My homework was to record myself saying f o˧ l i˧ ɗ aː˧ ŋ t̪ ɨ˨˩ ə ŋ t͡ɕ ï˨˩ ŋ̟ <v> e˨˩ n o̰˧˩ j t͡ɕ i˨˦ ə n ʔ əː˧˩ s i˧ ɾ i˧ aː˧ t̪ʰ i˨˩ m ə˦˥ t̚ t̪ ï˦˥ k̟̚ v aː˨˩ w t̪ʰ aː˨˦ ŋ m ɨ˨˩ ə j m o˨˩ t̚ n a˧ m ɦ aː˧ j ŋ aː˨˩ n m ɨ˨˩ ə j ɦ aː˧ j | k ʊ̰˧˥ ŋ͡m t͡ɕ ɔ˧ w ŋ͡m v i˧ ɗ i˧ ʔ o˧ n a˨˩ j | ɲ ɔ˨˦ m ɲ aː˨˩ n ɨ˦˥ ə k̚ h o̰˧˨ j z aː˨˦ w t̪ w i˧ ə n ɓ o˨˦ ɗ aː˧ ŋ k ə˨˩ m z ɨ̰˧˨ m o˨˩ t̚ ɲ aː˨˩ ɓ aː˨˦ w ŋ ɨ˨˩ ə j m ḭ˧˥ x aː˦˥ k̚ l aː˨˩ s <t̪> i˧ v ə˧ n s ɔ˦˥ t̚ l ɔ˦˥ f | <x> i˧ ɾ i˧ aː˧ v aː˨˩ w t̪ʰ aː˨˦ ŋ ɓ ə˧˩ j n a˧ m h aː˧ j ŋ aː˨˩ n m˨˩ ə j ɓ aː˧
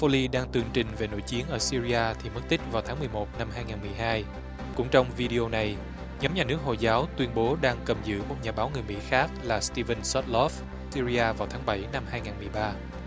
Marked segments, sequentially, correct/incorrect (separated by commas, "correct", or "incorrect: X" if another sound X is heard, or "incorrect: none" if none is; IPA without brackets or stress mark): correct, correct, incorrect: s